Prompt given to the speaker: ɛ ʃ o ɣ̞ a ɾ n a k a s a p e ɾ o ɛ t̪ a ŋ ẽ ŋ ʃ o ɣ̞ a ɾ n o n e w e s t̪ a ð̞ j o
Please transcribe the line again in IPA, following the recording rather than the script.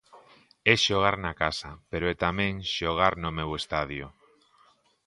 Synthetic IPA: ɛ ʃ o ɣ̞ a ɾ n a k a s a p e ɾ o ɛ t̪ a m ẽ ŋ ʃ o ɣ̞ a ɾ n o m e w e s t̪ a ð̞ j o